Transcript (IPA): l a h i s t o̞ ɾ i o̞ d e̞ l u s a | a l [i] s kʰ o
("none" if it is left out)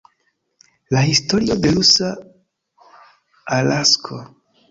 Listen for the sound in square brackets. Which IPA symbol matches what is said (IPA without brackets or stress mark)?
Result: a